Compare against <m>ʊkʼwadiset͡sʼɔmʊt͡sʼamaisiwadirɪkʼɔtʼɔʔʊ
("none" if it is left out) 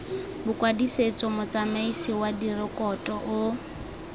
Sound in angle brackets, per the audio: b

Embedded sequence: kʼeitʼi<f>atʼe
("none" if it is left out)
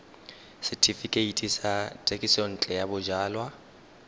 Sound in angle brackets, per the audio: s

